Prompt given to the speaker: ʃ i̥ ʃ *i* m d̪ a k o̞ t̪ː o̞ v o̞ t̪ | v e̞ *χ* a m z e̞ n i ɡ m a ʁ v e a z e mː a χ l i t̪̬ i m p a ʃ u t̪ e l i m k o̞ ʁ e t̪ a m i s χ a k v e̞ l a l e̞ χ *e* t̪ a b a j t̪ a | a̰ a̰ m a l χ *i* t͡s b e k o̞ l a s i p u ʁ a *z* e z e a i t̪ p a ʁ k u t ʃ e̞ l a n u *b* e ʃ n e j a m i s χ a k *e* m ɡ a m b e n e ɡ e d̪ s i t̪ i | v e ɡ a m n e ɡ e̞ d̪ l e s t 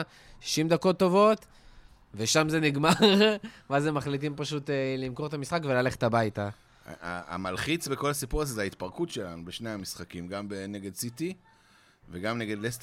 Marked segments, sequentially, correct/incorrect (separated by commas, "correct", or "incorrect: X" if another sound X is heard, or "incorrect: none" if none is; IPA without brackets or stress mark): correct, incorrect: ʃ, correct, correct, correct, correct, incorrect: i